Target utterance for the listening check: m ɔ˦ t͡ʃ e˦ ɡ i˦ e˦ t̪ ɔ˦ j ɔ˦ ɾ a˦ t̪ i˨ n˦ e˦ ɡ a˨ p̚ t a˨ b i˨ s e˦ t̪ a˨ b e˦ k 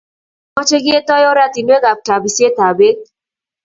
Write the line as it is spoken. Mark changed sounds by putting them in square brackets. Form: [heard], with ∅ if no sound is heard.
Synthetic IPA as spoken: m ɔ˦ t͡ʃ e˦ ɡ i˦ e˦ t̪ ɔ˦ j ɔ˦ ɾ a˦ t̪ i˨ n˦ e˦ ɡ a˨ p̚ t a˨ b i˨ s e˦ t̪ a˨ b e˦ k